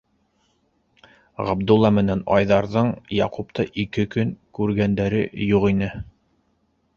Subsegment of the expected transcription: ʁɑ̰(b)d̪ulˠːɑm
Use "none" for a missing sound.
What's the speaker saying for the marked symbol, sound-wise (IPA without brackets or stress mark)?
b